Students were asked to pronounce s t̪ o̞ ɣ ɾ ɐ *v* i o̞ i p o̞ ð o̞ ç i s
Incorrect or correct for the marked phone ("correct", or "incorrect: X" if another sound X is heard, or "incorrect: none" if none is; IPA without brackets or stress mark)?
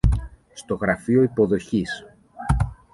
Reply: incorrect: f